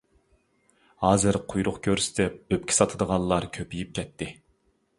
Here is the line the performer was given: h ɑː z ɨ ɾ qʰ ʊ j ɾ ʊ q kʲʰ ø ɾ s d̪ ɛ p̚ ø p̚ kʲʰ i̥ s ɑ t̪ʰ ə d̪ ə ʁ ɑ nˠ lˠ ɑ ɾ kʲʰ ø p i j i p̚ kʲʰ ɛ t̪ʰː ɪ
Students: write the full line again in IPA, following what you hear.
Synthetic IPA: h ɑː z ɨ ɾ qʰ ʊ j ɾ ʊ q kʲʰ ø ɾ s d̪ ɛ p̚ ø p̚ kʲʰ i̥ s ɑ t̪ʰ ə d̪ ə ʁ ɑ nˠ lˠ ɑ ɾ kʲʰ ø p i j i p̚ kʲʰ ɛ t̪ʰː ɪ